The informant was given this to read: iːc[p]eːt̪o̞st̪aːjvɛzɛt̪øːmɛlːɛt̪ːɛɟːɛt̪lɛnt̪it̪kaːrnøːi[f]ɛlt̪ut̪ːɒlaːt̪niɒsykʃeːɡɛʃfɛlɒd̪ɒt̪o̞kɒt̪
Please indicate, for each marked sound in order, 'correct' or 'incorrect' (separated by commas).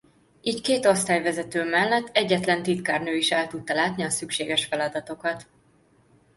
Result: incorrect, incorrect